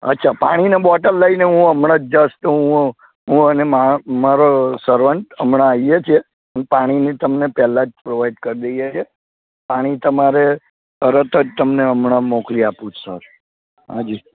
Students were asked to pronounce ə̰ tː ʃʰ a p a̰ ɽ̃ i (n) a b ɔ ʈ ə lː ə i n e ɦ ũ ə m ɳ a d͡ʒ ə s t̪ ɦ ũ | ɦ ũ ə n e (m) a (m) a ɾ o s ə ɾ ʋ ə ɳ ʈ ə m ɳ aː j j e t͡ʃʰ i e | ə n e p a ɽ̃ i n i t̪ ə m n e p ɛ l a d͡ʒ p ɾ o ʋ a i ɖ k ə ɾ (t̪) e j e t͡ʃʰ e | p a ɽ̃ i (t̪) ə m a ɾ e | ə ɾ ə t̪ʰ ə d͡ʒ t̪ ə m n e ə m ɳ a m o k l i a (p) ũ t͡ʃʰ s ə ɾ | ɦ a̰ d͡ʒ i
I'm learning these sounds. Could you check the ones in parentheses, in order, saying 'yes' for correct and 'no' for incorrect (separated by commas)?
yes, yes, yes, no, yes, yes